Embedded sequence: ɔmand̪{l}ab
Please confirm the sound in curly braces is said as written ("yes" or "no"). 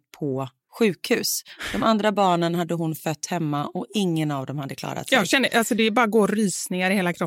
no